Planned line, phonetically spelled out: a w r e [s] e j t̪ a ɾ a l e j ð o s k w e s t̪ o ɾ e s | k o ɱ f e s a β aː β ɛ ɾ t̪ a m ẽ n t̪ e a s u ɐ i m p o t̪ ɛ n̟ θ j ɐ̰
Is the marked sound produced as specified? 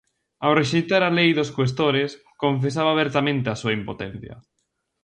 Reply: no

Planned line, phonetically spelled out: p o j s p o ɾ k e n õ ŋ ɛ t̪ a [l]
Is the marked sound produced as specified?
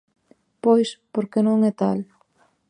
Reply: yes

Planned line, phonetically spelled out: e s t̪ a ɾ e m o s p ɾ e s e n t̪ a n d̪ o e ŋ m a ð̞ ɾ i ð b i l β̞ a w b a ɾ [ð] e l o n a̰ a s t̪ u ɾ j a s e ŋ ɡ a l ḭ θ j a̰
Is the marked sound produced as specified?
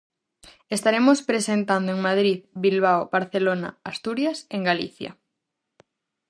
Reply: no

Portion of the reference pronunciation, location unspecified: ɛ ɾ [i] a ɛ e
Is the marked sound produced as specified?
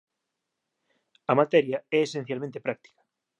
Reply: no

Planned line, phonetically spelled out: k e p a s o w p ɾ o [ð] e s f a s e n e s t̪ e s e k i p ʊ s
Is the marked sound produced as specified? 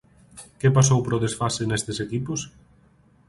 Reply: yes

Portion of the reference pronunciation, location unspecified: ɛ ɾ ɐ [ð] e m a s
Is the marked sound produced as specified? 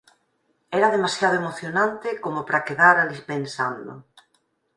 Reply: yes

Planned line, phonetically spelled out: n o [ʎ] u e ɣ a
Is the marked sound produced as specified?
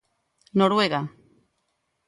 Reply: no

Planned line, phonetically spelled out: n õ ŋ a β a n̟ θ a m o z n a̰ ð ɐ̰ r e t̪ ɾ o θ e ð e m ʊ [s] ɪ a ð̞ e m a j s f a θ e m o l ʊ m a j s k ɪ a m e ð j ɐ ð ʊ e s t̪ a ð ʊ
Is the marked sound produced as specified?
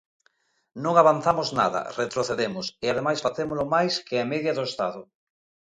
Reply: yes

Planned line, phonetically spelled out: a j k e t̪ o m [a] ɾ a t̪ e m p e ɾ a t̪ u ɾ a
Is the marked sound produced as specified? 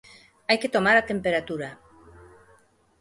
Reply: yes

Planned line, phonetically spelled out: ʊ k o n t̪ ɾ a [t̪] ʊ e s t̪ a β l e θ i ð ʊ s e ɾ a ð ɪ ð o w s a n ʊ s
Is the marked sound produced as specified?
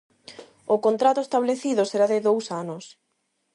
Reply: yes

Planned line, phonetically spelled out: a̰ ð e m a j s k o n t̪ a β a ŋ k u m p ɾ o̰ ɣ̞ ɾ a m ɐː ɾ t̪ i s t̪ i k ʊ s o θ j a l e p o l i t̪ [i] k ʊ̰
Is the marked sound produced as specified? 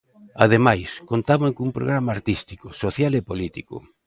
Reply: yes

